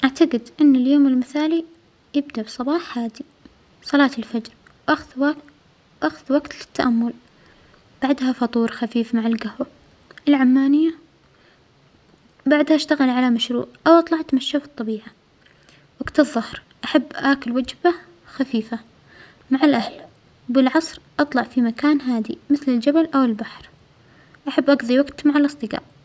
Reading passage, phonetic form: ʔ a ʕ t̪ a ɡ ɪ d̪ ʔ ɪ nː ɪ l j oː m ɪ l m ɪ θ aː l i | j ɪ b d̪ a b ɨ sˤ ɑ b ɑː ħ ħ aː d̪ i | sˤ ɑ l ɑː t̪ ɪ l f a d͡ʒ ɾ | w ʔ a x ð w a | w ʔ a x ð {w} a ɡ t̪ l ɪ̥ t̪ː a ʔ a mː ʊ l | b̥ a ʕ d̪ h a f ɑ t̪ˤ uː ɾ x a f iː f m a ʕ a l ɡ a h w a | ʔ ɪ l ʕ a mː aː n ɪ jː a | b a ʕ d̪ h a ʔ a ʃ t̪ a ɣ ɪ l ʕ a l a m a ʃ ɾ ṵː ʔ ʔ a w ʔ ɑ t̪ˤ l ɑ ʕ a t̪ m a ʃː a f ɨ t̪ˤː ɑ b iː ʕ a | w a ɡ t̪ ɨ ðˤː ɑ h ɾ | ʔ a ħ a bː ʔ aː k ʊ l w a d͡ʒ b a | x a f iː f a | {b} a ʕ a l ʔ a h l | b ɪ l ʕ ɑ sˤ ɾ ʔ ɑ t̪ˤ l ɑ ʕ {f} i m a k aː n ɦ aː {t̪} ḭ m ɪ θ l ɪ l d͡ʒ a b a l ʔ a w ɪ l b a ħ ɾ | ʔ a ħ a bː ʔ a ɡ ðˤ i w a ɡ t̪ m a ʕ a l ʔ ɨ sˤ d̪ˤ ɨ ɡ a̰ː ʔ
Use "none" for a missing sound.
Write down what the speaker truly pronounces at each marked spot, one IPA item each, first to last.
w, m, f, d̪

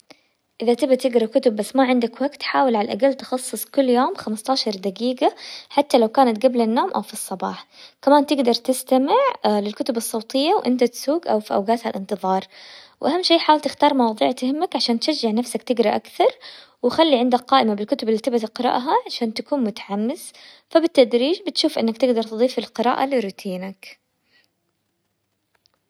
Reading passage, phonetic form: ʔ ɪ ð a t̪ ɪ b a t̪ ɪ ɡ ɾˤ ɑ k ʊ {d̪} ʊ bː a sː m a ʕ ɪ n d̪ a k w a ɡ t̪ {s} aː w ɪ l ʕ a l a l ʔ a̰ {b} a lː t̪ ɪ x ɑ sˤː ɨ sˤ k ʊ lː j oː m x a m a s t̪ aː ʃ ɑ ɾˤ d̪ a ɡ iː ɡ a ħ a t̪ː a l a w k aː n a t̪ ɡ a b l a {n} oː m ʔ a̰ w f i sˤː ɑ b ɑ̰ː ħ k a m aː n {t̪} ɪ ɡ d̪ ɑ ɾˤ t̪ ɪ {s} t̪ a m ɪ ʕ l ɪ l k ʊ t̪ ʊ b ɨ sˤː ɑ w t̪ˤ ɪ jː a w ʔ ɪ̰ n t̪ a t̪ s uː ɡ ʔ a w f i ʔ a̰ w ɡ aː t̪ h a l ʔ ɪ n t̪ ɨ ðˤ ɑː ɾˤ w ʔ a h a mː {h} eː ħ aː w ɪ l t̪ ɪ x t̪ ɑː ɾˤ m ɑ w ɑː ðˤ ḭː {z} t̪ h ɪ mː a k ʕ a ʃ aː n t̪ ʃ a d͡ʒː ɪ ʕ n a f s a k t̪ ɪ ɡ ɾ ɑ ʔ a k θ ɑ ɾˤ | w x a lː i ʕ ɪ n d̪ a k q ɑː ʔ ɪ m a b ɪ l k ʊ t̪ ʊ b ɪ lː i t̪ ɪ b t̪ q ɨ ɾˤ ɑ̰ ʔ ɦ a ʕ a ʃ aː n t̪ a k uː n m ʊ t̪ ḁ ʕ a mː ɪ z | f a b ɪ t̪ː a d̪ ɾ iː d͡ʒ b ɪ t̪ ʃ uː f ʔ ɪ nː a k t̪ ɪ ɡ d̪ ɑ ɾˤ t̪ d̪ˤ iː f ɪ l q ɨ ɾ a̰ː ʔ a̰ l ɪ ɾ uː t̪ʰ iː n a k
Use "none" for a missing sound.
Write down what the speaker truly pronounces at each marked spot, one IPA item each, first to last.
t̪, ħ, ɡ, nː, t̪, s, ʃ, ʕ

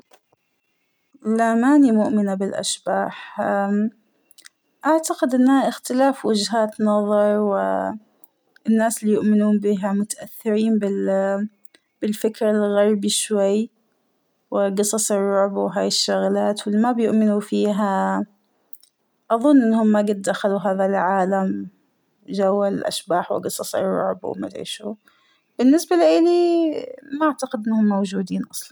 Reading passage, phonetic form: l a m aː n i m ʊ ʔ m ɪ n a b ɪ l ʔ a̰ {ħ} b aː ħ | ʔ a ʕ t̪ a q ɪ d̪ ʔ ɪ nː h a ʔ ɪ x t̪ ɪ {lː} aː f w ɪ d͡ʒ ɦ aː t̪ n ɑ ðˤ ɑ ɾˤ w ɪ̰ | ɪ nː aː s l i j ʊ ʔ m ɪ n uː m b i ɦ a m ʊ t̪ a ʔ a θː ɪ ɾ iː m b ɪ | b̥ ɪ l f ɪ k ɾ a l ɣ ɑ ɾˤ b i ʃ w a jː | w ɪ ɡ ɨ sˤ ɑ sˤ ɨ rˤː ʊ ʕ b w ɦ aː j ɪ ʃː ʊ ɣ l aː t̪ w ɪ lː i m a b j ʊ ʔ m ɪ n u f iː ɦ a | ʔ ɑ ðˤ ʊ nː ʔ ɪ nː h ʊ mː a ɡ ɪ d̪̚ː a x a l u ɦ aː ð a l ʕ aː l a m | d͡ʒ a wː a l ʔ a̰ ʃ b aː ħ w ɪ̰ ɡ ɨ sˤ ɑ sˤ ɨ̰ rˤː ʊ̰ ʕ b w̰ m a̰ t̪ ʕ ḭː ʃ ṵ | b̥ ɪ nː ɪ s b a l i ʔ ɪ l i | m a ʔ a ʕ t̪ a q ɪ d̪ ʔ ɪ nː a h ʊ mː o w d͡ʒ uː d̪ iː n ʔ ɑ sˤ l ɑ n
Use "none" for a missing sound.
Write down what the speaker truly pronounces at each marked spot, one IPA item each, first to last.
ʃ, l

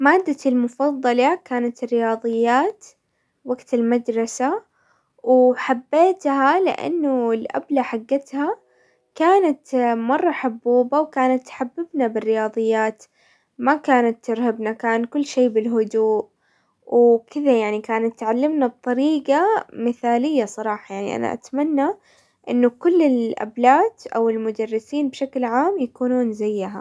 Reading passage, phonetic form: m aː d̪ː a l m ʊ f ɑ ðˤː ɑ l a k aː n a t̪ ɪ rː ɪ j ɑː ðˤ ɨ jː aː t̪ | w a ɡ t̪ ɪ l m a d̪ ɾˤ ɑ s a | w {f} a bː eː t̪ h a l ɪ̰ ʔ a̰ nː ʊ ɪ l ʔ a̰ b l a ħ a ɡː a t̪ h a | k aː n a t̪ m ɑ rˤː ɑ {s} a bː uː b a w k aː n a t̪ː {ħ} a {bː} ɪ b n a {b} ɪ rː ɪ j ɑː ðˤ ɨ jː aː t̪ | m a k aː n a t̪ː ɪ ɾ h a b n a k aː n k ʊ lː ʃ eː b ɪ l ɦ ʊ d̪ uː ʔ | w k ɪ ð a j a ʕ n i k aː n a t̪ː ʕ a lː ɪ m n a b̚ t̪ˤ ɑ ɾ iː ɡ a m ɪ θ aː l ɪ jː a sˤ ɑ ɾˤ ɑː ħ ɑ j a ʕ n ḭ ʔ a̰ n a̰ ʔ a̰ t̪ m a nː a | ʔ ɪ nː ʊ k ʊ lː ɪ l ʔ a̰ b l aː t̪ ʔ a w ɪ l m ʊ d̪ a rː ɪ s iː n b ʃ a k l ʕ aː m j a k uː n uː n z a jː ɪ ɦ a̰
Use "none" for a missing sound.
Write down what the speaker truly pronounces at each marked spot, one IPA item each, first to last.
ħ, ħ, ħ, bː, b

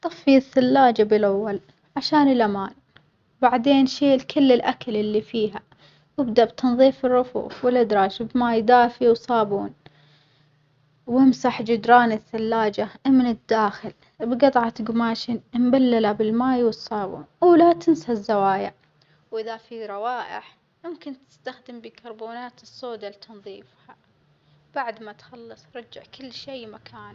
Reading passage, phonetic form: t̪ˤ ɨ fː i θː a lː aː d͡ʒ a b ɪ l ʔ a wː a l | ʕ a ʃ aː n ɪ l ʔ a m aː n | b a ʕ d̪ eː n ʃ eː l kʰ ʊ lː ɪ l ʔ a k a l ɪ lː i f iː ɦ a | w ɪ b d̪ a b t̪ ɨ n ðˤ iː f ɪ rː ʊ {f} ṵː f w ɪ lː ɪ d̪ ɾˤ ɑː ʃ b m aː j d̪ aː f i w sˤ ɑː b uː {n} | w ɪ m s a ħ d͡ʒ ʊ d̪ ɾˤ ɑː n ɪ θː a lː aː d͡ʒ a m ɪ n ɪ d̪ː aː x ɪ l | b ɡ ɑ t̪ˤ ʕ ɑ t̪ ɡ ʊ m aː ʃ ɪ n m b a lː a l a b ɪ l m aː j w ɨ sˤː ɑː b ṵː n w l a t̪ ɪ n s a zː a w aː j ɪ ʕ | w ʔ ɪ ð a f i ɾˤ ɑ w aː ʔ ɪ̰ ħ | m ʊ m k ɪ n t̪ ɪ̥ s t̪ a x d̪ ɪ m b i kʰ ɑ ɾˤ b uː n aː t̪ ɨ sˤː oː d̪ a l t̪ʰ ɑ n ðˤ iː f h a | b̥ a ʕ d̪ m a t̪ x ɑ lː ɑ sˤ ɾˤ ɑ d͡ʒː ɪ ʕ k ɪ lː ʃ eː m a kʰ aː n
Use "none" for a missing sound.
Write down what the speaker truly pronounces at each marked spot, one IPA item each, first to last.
f, n

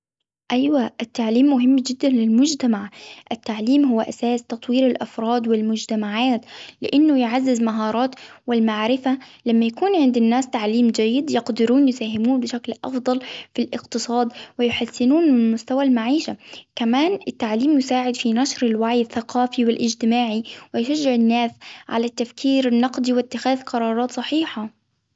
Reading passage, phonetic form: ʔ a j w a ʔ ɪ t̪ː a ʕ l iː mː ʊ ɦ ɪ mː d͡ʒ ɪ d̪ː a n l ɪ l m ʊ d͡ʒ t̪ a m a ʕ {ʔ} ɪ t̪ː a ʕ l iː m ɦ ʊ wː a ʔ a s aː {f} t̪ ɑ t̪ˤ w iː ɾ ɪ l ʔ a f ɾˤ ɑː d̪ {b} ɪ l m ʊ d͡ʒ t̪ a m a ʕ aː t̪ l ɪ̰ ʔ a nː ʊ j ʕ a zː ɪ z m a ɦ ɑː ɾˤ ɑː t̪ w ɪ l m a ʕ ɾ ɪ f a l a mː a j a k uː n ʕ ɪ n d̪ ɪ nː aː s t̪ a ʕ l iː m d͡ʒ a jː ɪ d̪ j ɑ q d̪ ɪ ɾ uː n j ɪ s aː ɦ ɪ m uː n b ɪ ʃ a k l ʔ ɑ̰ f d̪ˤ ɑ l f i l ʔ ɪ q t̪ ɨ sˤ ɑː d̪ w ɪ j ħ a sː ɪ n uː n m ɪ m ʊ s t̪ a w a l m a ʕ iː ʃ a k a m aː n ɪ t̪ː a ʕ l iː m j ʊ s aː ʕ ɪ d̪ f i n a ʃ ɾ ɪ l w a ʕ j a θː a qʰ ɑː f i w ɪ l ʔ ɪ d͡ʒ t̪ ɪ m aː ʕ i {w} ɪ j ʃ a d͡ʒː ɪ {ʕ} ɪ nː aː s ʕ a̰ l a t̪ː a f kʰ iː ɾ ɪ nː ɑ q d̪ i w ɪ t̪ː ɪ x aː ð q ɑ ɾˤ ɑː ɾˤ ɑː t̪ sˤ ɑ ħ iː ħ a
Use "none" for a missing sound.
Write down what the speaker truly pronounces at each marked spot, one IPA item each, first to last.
ʔ, s, w, w, ʕ

